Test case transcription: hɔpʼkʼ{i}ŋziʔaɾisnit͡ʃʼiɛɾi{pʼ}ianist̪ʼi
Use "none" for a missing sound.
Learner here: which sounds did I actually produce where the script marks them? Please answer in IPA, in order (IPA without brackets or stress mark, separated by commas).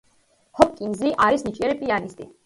i, pʼ